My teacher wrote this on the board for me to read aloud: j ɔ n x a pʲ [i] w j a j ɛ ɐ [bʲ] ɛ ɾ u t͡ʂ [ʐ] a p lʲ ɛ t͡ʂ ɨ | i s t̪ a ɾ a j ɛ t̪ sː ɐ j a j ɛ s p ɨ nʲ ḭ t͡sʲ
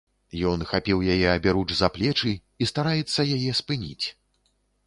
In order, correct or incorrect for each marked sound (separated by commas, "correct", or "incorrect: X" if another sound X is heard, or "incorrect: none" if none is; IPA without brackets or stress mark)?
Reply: correct, correct, incorrect: z